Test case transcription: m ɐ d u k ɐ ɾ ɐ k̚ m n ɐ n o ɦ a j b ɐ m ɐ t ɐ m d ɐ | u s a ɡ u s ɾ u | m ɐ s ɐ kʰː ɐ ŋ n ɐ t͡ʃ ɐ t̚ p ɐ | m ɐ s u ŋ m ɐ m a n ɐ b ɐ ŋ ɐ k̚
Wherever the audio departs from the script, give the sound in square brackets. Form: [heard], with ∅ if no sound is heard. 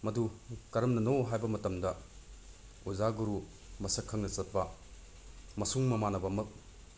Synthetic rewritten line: m ɐ d u k ɐ ɾ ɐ [∅] m n ɐ n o ɦ a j b ɐ m ɐ t ɐ m d ɐ | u [z] a ɡ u [∅] ɾ u | m ɐ s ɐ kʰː ɐ ŋ n ɐ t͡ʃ ɐ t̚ p ɐ | m ɐ s u ŋ m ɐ m a n ɐ b ɐ [m] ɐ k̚